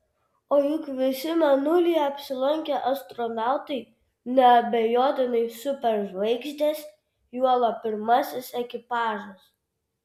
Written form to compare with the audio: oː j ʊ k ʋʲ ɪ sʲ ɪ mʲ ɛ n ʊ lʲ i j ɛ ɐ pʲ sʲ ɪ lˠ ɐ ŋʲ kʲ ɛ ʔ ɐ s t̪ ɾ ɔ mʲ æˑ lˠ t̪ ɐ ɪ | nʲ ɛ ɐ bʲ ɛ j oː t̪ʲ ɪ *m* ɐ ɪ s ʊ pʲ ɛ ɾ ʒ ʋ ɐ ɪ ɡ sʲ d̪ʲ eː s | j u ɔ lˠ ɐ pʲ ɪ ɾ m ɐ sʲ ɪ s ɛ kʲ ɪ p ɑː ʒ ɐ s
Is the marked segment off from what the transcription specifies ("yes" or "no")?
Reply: yes